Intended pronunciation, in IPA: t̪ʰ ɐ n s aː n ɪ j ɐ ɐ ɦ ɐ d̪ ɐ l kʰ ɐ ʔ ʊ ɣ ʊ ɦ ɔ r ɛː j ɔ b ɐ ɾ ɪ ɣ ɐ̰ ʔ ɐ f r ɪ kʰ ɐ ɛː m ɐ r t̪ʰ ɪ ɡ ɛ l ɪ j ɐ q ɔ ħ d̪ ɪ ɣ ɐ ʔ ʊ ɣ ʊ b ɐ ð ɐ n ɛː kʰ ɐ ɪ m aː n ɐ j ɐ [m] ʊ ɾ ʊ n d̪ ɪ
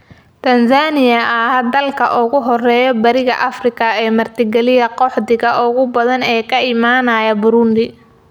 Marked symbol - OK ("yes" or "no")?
no